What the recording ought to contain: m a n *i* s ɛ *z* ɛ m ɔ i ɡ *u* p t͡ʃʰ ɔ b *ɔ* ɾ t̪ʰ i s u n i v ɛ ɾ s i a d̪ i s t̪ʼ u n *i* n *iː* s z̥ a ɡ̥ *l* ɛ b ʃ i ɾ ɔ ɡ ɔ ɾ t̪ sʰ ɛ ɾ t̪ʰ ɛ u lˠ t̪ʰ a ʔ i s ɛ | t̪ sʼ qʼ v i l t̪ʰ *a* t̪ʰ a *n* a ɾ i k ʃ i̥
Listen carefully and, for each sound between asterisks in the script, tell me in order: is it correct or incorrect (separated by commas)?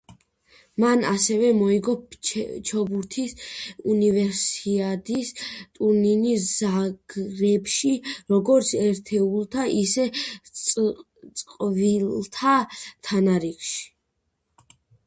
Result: incorrect, incorrect, incorrect, incorrect, correct, incorrect, incorrect, correct, correct